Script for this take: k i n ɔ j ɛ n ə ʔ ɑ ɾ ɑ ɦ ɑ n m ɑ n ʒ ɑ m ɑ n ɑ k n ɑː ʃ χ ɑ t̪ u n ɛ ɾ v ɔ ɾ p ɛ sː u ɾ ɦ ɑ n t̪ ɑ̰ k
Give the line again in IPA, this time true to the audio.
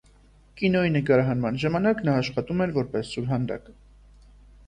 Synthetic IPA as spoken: k i n ɔ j i n ə k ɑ ɾ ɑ ɦ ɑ n m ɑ n ʒ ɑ m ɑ n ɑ k n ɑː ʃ χ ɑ t̪ u m ɛ ɾ v ɔ ɾ p ɛ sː u ɾ ɦ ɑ n d̪ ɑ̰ k